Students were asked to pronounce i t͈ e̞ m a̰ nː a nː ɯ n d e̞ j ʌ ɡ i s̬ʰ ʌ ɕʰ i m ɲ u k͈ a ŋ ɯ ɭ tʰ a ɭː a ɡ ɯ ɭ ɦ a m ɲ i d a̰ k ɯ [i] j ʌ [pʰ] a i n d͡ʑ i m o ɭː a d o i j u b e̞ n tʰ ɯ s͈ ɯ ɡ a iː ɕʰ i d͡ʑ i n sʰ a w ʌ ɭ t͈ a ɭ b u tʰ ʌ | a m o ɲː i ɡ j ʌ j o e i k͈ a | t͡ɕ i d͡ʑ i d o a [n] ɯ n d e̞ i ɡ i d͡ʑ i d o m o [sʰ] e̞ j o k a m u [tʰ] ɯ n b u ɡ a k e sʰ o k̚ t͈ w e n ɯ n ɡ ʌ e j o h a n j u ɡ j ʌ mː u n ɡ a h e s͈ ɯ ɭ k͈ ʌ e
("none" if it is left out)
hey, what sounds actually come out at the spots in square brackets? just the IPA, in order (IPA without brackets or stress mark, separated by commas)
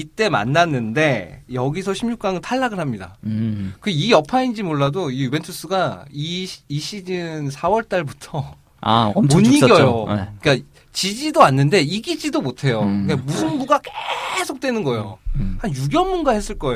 i, pʰ, nː, tʰ, sʰ